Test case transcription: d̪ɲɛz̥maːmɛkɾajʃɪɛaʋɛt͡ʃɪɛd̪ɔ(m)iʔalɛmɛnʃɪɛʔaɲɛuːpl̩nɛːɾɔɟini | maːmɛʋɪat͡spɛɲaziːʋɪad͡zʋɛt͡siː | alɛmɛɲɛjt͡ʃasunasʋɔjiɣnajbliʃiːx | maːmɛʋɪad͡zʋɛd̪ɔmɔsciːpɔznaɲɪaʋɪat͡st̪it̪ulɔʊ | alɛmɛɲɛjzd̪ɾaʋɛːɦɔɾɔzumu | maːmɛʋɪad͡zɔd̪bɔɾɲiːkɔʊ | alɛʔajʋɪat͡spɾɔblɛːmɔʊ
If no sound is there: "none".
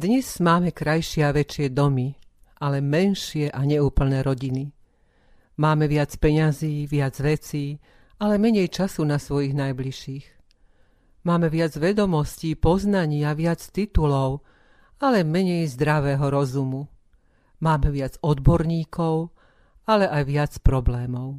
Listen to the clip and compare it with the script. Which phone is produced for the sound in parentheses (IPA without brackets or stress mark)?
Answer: m